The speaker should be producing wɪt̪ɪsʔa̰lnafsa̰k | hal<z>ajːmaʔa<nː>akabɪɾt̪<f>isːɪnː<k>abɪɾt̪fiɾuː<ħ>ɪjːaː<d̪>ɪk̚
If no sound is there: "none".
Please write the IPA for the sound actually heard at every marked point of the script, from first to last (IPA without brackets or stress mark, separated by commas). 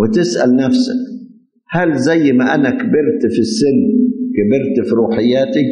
z, n, f, k, ħ, t̪